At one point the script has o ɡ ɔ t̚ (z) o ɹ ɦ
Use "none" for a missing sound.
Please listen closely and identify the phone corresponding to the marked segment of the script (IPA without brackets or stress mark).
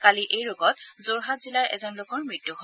z